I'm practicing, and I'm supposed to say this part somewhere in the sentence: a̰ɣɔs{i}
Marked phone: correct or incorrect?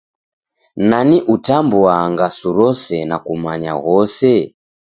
incorrect